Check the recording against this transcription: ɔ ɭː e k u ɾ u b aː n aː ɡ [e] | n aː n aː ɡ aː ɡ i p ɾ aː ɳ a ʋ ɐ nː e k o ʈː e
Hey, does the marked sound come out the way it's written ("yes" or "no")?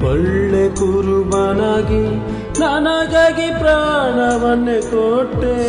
no